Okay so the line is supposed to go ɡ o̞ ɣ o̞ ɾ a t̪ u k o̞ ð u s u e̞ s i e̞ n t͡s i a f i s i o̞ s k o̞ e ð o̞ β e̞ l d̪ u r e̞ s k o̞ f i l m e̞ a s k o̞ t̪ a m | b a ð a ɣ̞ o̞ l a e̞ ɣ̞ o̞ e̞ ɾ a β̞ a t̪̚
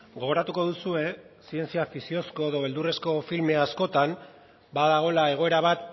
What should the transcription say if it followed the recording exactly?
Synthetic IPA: ɡ o̞ ɣ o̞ ɾ a t̪ u k o̞ ð u s u e̞ s i e̞ n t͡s i a f i s i o̞ s k o̞ e ð o̞ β e̞ l d̪ u r e̞ s k o̞ f i l m e̞ a s k o̞ t̪ a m | b a ð a ɣ̞ o̞ l a e̞ ɣ̞ o̞ e̞ ɾ a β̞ a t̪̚